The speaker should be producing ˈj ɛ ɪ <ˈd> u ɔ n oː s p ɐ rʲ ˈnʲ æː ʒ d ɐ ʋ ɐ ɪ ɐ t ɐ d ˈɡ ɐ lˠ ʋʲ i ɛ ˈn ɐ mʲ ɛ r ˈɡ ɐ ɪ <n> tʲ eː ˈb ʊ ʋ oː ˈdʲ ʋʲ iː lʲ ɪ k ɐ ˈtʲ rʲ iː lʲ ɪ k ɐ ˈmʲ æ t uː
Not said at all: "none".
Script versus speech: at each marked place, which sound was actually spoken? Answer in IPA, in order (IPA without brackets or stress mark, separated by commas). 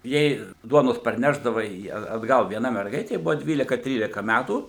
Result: d, none